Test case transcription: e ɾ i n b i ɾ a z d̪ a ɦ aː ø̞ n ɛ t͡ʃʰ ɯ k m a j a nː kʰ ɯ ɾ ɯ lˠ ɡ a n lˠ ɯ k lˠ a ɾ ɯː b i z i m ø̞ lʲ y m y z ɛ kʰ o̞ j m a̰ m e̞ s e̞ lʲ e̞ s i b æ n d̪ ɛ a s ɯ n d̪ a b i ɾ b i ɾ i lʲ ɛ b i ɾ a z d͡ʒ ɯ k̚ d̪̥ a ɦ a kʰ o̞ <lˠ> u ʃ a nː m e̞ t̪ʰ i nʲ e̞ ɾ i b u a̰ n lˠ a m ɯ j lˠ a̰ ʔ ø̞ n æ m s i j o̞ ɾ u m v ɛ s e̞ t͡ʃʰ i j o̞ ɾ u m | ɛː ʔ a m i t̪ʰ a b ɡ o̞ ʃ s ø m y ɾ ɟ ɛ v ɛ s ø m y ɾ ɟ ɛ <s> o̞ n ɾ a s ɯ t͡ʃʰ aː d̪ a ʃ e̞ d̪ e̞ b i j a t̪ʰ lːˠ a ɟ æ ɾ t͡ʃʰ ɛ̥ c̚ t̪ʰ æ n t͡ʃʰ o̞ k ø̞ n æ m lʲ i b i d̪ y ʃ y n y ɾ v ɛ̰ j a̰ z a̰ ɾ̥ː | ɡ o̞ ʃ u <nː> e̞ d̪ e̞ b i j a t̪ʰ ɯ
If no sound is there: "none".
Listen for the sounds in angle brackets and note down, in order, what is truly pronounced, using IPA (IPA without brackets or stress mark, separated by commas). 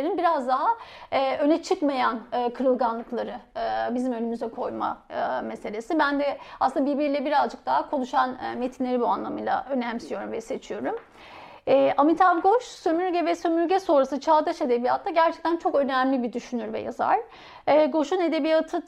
lˠ, s, n